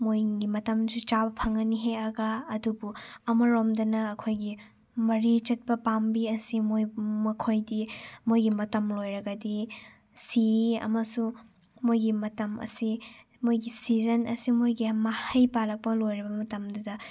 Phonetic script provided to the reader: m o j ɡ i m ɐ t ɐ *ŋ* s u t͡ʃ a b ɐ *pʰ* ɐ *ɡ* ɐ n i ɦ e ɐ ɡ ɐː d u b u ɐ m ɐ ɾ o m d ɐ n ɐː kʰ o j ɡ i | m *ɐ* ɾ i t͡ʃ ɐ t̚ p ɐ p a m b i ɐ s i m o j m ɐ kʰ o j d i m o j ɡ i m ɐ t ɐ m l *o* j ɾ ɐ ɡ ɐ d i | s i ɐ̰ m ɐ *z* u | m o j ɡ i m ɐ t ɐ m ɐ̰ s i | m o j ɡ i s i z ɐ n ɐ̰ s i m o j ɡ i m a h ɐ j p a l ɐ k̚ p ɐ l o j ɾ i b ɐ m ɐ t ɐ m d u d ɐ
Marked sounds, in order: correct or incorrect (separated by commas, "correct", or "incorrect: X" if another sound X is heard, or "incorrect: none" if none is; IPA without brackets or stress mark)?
incorrect: m, correct, incorrect: ŋ, correct, correct, incorrect: s